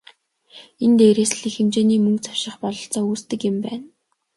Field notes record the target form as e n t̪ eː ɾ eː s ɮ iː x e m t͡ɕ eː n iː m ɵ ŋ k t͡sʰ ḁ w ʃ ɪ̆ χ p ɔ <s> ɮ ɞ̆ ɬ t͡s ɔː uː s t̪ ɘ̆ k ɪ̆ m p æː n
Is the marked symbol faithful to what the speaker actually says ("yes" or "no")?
no